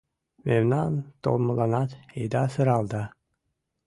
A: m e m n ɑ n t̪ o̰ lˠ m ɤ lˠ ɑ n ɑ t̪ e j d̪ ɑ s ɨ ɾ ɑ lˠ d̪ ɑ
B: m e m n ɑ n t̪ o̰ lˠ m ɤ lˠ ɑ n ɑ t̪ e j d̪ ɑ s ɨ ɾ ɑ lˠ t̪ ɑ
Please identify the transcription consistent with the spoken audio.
A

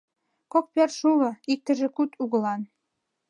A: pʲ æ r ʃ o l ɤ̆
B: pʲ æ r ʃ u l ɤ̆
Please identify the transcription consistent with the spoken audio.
B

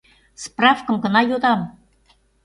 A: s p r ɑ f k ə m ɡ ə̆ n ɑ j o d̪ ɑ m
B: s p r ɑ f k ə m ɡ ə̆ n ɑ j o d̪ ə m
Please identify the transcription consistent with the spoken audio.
A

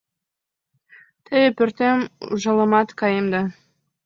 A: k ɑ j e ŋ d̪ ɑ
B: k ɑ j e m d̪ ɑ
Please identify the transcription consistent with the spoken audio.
B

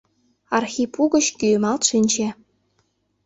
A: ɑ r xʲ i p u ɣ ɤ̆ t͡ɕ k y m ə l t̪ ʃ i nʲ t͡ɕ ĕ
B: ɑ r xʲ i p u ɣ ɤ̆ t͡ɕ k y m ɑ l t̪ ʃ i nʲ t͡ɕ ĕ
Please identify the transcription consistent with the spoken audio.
B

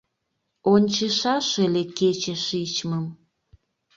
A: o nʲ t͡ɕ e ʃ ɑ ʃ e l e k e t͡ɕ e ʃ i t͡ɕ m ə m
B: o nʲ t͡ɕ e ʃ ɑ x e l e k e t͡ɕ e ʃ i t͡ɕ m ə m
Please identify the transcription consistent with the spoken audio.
A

